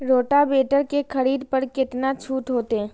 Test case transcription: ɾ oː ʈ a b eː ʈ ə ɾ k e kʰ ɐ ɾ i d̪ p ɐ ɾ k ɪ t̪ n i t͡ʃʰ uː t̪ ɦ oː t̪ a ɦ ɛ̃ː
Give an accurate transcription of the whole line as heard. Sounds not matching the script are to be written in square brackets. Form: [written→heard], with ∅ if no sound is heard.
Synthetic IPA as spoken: ɾ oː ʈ a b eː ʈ ə ɾ k e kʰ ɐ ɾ [i→iː] d̪ p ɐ ɾ k ɪ t̪ n [i→a] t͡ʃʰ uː t̪ ɦ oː t̪ [a→e] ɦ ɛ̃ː